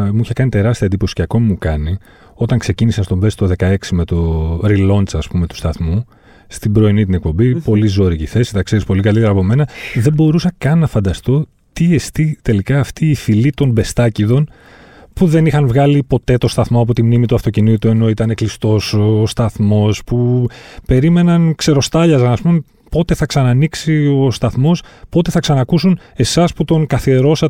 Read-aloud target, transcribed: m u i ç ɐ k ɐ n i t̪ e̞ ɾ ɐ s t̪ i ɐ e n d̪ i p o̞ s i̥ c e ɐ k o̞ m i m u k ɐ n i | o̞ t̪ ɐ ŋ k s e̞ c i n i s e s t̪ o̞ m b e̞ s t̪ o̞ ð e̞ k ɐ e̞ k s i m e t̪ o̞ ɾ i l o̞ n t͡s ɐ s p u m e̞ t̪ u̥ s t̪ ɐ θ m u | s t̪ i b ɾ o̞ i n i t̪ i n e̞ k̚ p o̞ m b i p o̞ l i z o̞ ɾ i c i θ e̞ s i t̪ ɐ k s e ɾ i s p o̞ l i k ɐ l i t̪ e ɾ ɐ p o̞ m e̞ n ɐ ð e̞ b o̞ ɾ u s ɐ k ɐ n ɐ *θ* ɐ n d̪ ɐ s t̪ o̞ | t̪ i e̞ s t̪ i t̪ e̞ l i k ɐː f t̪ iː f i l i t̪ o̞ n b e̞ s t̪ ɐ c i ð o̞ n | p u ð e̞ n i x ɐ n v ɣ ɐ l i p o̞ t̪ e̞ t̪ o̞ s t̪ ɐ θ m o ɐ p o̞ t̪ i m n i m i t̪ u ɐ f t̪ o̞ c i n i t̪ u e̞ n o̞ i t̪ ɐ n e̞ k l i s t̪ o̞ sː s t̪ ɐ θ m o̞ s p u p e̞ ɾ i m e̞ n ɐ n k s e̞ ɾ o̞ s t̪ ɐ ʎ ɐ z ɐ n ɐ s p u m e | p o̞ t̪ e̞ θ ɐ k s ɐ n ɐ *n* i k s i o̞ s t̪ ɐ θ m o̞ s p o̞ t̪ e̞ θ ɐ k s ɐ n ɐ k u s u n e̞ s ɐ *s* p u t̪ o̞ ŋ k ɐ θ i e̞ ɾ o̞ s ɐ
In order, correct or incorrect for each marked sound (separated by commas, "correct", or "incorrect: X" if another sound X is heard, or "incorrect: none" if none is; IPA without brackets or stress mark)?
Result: incorrect: f, correct, correct